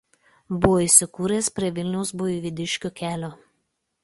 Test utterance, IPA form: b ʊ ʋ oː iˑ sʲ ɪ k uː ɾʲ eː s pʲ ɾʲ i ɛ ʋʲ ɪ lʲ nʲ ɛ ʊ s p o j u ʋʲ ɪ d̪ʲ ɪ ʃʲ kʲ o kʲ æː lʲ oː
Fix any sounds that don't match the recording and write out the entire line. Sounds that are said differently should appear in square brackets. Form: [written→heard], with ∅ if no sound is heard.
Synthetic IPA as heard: b ʊ ʋ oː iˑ sʲ ɪ k uː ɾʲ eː s pʲ ɾʲ i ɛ ʋʲ ɪ lʲ nʲ ɛ ʊ s [p→b] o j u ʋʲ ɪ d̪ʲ ɪ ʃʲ kʲ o kʲ æː lʲ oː